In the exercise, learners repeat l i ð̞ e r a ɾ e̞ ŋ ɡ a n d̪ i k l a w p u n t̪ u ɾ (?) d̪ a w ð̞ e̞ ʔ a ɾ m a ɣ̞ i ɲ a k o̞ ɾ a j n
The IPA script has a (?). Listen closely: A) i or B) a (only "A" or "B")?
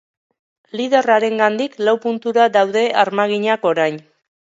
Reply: B